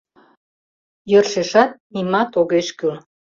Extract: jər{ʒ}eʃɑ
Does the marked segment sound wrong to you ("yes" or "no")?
yes